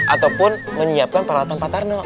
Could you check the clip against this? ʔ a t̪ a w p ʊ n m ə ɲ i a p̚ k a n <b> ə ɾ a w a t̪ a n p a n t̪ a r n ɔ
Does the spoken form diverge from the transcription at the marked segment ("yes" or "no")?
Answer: yes